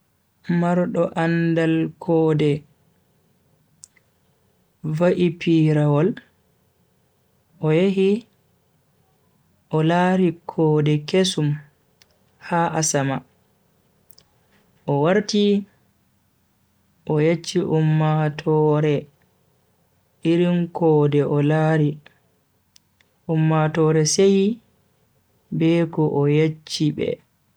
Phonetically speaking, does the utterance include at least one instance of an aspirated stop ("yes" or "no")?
yes